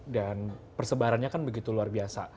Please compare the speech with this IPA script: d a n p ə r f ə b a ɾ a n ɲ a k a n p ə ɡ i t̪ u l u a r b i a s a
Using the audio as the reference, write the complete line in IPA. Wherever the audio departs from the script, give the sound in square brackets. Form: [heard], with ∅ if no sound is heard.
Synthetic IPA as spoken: d a n p ə r [s] ə b a ɾ a n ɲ a k a n [b] ə ɡ i t̪ u l u a r b i a s a